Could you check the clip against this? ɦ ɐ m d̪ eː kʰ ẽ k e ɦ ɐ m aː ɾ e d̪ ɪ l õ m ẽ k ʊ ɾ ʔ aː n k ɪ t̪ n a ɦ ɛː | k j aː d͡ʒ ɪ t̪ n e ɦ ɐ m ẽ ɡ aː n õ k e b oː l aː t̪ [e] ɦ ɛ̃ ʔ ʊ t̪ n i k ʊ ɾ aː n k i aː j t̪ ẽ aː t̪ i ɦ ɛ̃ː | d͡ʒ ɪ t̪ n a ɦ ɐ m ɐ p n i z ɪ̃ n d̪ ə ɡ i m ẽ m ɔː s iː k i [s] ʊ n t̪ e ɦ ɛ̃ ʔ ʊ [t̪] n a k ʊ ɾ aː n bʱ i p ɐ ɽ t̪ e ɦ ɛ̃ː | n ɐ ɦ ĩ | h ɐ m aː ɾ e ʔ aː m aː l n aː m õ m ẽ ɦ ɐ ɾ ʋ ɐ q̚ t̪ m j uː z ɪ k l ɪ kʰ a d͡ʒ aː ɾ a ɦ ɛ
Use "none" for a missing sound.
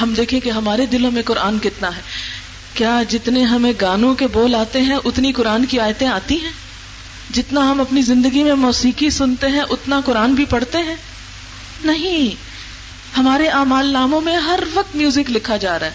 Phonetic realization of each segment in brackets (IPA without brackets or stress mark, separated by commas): e, s, t̪